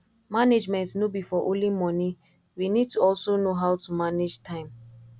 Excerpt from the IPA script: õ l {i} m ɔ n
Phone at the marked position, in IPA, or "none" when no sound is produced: i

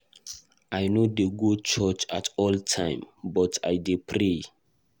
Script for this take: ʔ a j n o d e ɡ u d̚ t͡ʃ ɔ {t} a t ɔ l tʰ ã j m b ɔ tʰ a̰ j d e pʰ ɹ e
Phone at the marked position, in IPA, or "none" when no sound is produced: t͡ʃ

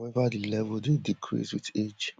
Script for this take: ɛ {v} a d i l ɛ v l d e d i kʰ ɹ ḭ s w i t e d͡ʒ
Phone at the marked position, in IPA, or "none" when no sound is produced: v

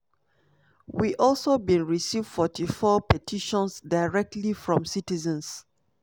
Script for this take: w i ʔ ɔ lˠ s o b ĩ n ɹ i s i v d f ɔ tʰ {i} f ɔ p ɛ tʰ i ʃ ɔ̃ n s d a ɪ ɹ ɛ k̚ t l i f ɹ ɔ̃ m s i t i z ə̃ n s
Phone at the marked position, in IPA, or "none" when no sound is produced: i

